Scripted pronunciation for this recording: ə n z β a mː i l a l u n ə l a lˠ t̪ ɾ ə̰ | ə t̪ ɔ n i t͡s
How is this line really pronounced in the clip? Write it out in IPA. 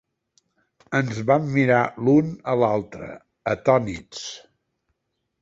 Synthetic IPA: ə n z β a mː i ɾ a l u n ə l a lˠ t̪ ɾ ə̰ | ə t̪ ɔ n i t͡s